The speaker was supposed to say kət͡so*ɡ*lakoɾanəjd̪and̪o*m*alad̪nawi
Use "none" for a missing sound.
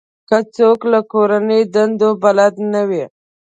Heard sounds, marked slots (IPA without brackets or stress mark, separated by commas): k, b